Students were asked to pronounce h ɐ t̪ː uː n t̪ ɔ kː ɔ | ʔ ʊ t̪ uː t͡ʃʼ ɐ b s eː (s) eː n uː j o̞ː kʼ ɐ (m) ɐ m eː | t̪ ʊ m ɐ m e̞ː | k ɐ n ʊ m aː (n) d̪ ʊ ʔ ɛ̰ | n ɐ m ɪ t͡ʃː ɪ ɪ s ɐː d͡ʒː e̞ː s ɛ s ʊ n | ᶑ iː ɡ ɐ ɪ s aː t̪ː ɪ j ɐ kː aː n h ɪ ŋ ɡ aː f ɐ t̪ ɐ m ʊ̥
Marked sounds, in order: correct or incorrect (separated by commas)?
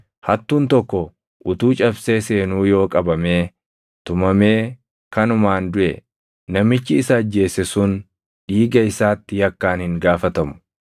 correct, incorrect, correct